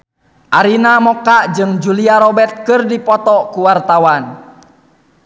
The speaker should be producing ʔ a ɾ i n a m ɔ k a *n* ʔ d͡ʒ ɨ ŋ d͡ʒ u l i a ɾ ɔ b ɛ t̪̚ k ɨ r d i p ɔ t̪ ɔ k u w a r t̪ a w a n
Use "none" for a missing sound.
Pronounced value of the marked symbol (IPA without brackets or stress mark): none